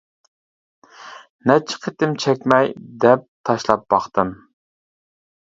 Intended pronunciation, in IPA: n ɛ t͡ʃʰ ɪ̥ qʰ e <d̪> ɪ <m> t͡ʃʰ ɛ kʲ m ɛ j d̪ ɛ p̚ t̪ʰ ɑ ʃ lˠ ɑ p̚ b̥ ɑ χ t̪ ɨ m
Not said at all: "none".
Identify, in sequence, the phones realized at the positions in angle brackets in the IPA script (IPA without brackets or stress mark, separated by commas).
t̪, m